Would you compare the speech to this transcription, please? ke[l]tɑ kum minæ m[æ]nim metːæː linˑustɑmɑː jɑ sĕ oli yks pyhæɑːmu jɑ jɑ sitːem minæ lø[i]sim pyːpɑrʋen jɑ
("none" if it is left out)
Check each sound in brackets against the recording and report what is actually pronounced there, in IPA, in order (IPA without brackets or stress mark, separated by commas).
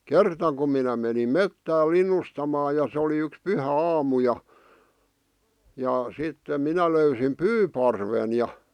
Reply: r, e, y